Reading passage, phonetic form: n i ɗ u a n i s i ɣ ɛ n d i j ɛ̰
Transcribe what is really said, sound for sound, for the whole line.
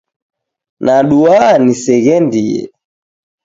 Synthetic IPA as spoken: n a ɗ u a n i s ɛ ɣ ɛ n d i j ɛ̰